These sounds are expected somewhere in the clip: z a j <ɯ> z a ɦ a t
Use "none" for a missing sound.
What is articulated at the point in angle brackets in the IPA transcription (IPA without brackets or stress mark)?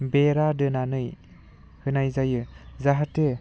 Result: ɯ